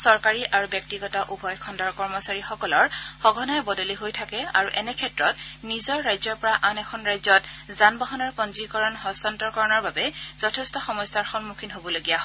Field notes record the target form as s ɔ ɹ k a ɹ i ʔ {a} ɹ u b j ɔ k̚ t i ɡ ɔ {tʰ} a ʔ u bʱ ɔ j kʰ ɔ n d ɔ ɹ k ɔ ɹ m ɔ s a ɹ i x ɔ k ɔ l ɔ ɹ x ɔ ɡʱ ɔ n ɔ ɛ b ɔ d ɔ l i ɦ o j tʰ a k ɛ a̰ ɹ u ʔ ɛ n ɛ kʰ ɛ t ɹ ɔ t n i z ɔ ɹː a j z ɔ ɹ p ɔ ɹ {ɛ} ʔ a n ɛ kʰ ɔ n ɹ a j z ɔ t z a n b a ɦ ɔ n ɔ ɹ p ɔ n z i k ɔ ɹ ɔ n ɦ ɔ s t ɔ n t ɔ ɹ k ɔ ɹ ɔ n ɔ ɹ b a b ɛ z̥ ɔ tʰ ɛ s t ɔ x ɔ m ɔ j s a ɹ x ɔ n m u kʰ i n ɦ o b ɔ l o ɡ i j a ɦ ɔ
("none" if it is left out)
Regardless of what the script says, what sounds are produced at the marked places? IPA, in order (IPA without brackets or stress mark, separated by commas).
a, t, a